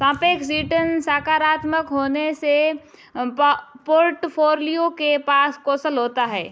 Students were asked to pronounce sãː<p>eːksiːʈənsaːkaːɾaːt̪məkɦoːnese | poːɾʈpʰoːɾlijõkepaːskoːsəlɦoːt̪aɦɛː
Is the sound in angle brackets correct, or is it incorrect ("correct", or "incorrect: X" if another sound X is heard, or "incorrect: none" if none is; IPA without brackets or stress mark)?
correct